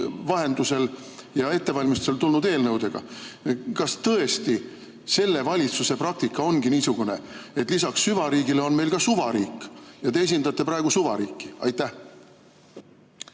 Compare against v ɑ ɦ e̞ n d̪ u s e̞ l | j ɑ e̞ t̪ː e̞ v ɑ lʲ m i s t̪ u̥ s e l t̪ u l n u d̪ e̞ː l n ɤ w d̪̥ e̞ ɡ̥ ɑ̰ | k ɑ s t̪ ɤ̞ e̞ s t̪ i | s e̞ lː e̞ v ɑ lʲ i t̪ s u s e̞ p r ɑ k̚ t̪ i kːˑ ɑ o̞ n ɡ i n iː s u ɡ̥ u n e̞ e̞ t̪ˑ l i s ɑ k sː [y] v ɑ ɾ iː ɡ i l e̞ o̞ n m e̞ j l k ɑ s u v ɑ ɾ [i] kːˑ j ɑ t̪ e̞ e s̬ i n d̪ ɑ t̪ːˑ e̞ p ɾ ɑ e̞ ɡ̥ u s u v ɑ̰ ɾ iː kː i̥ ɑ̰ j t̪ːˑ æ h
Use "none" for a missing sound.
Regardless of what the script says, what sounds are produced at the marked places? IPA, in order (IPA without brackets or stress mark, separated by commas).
y, iː